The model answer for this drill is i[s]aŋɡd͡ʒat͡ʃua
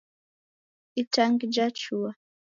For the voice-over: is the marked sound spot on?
no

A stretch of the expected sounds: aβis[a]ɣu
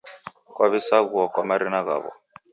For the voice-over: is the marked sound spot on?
yes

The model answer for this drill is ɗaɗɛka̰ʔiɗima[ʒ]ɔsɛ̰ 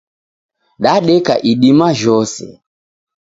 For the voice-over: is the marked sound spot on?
yes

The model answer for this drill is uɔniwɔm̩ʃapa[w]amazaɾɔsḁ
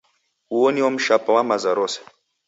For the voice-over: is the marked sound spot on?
yes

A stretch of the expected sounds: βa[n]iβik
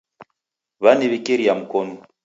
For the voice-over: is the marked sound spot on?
yes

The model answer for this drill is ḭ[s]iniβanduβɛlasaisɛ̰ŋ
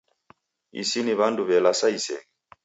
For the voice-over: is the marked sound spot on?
yes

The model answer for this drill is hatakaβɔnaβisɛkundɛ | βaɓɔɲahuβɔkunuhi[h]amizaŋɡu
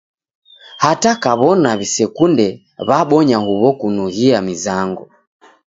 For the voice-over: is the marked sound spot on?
no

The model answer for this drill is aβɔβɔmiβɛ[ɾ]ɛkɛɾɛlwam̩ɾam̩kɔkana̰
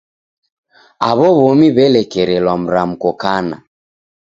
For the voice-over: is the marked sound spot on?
no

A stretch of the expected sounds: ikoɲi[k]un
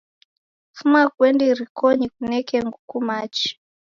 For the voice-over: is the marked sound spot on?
yes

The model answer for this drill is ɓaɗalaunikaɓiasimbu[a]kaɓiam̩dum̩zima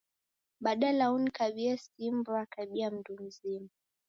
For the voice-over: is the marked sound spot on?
yes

